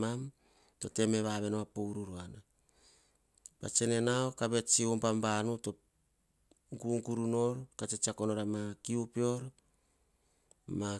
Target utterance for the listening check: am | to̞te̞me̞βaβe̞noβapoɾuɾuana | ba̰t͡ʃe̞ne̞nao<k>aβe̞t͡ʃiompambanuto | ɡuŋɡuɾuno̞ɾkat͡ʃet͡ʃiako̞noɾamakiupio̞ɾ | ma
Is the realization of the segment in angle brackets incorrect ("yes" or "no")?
no